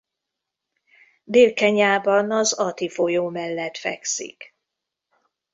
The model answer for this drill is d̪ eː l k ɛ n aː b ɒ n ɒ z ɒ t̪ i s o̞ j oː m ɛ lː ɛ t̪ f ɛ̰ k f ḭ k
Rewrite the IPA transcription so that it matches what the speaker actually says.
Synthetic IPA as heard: d̪ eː l k ɛ ɲ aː b ɒ n ɒ z ɒ t̪ i f o̞ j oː m ɛ lː ɛ t̪ f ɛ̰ k s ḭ k